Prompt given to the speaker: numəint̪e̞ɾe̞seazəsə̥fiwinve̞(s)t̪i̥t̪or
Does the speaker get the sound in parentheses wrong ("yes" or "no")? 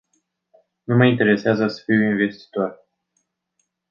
no